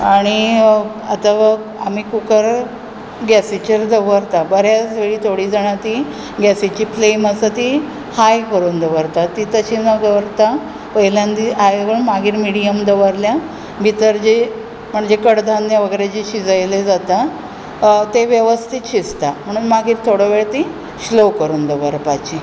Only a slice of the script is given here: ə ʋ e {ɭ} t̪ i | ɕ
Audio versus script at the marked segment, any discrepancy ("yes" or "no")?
no